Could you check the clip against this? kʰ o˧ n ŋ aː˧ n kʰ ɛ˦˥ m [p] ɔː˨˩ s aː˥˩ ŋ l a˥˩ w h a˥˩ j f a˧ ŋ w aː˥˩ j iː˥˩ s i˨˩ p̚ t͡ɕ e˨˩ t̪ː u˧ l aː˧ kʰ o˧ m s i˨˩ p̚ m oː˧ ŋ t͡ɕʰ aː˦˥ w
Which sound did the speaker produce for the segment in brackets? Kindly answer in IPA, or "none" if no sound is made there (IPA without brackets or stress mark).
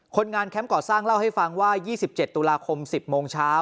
k